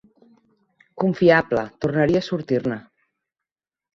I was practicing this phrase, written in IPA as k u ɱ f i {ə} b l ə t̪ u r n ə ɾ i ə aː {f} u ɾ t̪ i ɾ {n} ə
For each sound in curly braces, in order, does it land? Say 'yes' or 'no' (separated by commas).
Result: no, no, yes